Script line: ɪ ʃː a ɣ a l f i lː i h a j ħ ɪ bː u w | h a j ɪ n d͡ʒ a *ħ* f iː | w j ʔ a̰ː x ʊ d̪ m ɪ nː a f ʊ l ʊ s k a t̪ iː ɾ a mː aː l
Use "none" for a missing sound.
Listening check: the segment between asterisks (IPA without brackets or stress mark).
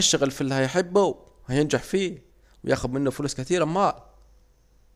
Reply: ħ